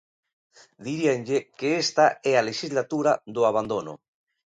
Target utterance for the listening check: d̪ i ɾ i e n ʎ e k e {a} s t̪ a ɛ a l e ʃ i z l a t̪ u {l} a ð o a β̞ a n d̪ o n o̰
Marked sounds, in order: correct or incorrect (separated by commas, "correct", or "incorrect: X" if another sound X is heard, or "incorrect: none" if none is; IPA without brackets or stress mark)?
incorrect: e, incorrect: ɾ